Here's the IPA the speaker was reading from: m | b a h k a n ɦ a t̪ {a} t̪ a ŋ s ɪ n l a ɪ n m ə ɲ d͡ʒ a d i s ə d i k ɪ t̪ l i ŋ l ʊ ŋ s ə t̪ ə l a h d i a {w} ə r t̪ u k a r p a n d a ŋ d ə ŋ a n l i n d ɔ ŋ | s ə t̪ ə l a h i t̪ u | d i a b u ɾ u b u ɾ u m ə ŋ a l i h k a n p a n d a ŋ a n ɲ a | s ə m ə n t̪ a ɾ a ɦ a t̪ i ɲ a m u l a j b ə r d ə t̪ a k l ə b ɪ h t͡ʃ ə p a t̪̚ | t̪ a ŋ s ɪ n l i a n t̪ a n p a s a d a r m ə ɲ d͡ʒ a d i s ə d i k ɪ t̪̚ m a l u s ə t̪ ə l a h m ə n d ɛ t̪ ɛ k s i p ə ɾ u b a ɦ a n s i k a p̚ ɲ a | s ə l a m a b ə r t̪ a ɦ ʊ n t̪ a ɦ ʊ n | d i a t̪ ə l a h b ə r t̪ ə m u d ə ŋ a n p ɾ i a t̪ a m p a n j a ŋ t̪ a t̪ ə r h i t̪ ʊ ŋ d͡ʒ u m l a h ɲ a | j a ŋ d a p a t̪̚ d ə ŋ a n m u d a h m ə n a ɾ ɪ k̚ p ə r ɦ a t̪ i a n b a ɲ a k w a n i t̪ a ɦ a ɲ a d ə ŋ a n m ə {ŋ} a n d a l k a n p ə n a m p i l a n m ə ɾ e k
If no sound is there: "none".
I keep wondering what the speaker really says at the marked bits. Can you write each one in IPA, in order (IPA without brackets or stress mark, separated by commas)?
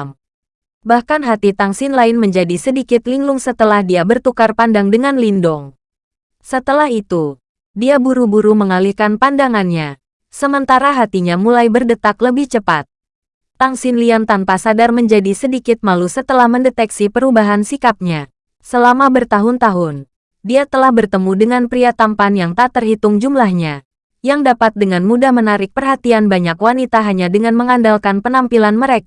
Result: i, b, ŋ